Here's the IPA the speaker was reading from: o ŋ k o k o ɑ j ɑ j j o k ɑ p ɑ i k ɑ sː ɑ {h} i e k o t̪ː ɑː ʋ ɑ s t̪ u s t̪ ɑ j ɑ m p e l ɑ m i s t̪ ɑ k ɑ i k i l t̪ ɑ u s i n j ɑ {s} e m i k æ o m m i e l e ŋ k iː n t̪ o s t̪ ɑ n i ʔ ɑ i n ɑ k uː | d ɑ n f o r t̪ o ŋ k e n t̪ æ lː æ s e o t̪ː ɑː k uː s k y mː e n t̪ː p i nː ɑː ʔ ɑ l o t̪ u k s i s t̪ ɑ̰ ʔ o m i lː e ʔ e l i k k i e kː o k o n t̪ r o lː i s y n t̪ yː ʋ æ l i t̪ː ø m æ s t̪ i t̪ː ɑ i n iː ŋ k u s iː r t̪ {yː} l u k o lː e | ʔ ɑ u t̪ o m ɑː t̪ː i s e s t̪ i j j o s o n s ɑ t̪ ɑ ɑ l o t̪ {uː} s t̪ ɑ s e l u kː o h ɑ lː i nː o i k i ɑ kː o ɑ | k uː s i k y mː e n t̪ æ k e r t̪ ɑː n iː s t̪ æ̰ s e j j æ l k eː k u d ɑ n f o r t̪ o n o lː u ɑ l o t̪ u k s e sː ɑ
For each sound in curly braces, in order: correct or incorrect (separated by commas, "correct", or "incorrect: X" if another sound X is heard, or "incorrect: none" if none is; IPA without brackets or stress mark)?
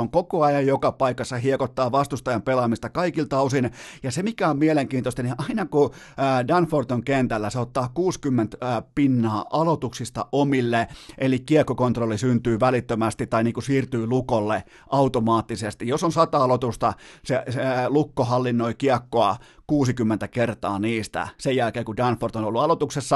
correct, correct, correct, incorrect: u